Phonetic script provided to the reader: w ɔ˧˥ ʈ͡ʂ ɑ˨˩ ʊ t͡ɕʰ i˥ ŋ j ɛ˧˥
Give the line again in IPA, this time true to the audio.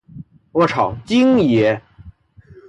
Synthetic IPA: w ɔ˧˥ ʈ͡ʂʰ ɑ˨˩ ʊ t͡ɕ i˥ ŋ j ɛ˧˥